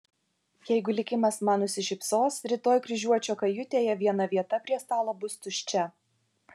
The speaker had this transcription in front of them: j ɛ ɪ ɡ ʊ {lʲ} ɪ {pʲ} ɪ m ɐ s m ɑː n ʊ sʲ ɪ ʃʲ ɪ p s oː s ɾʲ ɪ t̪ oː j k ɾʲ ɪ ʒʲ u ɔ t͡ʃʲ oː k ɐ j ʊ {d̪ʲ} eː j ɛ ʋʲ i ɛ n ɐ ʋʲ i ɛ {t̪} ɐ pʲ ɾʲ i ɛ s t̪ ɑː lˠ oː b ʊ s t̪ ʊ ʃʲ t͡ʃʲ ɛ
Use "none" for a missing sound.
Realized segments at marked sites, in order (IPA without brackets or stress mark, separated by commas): lʲ, kʲ, t̪ʲ, t̪